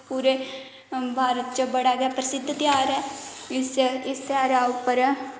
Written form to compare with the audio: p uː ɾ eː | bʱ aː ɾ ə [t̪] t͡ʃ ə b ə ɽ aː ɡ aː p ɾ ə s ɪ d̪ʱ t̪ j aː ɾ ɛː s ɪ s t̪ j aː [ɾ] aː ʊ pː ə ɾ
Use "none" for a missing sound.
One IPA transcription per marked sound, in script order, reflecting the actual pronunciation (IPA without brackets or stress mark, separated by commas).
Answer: t̪, ɾ